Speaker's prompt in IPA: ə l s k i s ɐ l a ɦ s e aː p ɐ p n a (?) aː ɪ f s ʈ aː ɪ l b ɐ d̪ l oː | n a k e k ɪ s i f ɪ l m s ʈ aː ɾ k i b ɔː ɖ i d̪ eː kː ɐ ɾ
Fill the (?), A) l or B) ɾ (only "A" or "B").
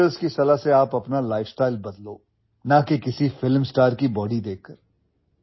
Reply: A